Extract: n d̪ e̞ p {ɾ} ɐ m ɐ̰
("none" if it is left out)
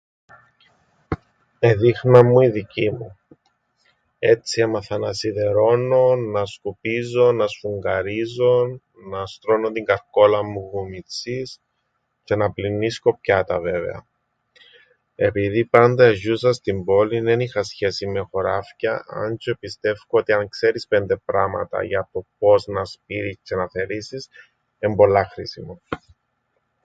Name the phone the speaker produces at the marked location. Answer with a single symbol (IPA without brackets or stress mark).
ɾ